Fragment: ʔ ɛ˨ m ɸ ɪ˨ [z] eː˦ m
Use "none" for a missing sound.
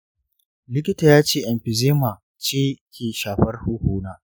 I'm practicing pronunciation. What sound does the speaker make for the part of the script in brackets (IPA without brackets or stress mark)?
z